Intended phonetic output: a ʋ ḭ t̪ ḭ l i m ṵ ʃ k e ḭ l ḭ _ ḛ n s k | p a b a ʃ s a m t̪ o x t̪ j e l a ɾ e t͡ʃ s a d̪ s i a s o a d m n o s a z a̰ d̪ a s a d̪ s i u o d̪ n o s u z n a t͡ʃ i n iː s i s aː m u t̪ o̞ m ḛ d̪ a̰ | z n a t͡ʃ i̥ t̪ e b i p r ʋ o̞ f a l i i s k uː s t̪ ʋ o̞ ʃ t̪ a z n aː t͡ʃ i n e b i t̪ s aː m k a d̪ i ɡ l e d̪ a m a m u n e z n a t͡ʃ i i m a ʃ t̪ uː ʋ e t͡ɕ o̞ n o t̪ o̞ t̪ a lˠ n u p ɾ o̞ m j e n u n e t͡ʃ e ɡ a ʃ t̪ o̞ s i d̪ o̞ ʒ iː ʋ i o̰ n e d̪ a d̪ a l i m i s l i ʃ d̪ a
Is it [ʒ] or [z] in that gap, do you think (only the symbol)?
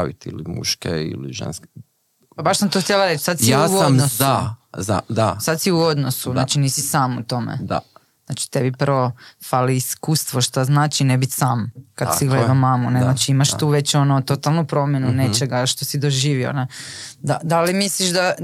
ʒ